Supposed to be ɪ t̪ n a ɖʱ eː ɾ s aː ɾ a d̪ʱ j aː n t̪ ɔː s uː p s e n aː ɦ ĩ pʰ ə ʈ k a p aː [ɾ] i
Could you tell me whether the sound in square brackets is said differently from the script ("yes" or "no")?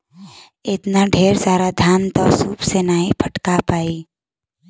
yes